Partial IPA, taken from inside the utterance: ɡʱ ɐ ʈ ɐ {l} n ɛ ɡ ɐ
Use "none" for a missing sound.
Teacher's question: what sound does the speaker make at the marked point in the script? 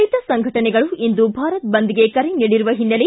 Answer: none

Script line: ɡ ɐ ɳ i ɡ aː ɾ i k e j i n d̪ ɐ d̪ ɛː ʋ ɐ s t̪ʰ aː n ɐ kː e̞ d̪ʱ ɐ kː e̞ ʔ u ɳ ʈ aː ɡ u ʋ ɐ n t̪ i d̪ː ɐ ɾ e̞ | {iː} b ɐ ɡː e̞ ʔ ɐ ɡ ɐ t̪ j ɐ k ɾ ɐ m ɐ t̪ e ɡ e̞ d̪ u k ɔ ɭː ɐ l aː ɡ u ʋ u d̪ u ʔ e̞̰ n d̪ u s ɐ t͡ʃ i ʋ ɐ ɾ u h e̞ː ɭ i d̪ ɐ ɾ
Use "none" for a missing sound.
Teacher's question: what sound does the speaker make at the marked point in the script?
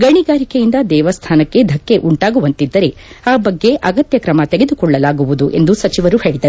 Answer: aː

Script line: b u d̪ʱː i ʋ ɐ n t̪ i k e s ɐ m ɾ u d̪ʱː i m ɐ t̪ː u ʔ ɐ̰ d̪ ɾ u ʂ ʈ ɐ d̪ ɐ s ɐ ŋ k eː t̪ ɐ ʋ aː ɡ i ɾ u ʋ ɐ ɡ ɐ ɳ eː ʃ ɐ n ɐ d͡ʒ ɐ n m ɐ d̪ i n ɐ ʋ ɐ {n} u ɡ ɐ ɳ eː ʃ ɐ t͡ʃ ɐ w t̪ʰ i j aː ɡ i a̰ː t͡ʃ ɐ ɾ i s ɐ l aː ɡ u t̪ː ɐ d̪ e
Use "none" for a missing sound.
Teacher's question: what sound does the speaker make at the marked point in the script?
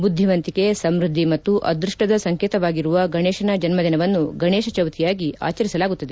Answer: nː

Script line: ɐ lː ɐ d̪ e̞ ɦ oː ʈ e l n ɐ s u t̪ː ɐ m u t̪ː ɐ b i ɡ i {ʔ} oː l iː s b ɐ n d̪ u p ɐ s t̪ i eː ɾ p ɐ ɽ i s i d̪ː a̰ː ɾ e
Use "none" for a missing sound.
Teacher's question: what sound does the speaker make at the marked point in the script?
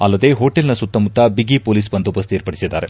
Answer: p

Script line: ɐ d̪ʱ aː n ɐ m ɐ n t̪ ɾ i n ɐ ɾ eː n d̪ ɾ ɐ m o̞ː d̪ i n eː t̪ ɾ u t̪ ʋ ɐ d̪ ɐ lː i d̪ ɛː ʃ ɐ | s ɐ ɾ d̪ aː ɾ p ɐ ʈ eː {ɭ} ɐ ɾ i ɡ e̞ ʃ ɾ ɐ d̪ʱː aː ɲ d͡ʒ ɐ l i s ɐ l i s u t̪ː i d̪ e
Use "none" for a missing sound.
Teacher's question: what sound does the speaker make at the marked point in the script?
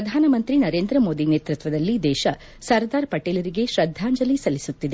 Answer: l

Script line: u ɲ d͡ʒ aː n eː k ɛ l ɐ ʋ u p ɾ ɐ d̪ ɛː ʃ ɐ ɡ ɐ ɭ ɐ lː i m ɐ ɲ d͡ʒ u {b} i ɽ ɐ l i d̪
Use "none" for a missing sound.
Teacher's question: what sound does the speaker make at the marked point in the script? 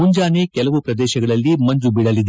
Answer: b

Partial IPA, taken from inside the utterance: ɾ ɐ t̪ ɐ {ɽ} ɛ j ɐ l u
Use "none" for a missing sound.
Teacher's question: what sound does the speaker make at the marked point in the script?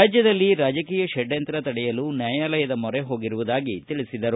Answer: ɽ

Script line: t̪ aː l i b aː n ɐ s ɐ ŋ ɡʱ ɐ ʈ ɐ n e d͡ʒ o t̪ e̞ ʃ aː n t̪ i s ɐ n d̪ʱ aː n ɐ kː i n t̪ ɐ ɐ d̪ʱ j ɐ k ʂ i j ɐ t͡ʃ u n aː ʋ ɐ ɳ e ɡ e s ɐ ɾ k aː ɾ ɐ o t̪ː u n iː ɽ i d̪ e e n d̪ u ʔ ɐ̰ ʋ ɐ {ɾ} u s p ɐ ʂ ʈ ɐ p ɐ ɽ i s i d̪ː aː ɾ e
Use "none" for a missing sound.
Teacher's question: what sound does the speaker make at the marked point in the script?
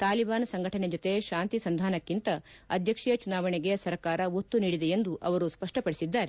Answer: ɾ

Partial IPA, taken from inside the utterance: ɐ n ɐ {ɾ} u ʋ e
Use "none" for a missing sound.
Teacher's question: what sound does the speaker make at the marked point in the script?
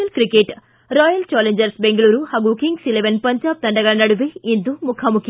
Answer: ɽ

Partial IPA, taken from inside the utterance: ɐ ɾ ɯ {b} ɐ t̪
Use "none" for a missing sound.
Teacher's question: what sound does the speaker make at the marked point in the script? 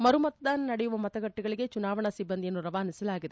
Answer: m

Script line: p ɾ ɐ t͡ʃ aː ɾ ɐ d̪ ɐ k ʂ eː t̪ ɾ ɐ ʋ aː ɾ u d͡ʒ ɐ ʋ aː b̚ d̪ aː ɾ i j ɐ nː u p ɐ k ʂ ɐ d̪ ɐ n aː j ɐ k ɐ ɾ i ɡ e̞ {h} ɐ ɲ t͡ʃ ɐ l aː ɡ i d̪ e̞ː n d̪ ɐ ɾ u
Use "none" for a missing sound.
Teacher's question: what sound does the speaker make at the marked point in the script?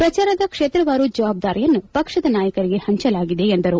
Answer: h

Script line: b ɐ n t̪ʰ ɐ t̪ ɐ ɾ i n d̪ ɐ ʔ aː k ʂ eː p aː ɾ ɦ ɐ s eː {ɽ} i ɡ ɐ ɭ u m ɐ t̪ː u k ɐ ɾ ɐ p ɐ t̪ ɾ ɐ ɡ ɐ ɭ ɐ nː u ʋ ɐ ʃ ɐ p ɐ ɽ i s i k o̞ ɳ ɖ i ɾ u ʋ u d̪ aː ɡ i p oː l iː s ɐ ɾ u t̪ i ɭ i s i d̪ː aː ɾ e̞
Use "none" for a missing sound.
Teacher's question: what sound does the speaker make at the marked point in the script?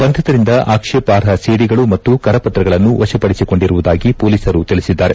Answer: ɽ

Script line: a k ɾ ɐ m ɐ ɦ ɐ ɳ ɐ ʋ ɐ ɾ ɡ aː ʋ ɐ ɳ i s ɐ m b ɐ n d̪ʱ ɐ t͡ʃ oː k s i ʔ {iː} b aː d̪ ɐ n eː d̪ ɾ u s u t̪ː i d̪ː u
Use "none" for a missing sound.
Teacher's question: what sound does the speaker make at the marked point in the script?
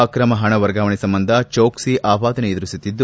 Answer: aː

